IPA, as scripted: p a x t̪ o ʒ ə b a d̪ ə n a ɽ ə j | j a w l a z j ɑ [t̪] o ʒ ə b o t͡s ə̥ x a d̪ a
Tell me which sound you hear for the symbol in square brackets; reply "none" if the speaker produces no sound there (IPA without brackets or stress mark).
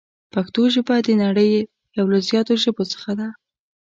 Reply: t̪